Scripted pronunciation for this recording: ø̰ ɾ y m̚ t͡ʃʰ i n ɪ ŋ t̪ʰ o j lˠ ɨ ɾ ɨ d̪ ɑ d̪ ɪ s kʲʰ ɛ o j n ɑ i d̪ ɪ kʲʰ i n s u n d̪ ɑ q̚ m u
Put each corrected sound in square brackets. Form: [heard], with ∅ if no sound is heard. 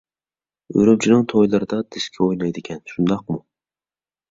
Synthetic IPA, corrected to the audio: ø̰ ɾ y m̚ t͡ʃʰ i n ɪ ŋ t̪ʰ o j lˠ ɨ ɾ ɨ d̪ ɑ d̪ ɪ s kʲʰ ɛ o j n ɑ [j] d̪ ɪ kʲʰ [ɛ] n [ʃ] u n d̪ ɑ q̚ m u